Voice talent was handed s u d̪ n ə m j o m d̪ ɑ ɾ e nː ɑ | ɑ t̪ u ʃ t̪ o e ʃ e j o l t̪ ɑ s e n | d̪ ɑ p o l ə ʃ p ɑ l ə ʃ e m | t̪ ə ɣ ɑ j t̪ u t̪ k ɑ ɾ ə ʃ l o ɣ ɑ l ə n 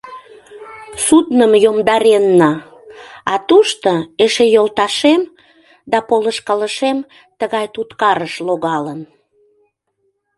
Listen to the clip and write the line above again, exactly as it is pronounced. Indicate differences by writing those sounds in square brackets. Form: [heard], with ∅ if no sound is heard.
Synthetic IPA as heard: s u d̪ n ə m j o m d̪ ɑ ɾ e nː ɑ | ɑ t̪ u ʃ t̪ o e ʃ e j o l t̪ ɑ [ʃ] e [m] | d̪ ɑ p o l ə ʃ [k] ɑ l ə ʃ e m | t̪ ə ɣ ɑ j t̪ u t̪ k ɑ ɾ ə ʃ l o ɣ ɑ l ə n